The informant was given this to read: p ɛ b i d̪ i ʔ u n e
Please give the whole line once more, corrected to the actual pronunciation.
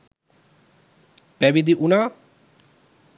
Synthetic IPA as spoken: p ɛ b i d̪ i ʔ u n a